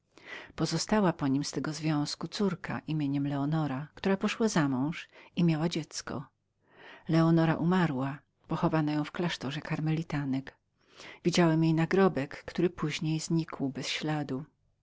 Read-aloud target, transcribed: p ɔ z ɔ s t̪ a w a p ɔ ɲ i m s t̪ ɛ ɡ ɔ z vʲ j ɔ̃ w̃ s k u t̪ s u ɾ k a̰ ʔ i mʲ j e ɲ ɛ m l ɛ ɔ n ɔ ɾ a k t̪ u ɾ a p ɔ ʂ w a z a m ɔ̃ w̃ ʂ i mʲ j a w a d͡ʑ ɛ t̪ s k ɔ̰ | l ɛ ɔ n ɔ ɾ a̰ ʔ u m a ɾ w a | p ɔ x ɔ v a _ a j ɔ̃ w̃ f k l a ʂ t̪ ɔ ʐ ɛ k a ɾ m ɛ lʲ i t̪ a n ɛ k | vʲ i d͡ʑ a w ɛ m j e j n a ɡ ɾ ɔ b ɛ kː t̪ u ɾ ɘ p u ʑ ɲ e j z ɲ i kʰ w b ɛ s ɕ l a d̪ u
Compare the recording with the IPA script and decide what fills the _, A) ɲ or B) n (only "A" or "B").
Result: B